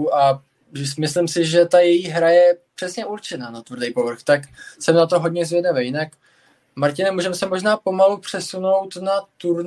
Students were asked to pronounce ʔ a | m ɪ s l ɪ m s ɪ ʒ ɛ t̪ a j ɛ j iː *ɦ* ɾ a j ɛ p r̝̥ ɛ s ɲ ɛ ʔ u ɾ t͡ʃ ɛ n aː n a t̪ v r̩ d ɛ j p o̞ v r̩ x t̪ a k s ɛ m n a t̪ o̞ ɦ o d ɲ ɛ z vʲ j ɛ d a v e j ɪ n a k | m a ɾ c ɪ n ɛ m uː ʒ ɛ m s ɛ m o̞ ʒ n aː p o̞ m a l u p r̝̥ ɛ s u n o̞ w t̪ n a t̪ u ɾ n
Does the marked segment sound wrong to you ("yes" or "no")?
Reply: no